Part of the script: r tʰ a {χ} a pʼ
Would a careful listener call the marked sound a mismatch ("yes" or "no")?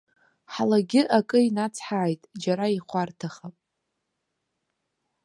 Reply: no